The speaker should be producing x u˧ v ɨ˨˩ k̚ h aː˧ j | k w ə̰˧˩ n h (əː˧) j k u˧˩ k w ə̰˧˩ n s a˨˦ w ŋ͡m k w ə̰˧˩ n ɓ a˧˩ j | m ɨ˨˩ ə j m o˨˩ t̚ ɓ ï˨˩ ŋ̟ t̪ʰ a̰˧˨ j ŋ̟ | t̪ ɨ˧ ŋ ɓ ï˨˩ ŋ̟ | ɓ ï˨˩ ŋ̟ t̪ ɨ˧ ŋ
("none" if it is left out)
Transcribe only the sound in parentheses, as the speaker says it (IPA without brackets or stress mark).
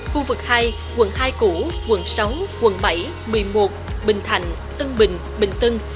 aː˧